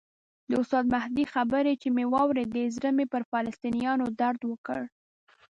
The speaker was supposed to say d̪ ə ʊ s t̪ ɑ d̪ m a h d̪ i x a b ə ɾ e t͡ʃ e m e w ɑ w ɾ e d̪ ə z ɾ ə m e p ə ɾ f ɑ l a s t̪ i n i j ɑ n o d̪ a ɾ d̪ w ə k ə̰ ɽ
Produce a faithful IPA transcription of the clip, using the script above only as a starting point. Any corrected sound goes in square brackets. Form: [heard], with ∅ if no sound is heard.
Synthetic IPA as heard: d̪ ə ʊ s t̪ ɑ d̪ m a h d̪ i x a b ə ɾ e t͡ʃ e m e w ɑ w ɾ e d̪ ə z ɾ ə m e p ə ɾ f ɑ l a s t̪ i n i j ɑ n o d̪ a ɾ d̪ w ə k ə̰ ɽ